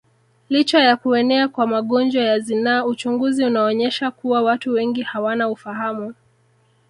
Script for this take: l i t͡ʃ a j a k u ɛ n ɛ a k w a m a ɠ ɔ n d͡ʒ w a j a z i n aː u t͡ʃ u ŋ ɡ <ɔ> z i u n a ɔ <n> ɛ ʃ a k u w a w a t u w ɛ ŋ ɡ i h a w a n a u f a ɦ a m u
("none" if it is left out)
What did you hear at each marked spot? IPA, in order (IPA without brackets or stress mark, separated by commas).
u, ɲ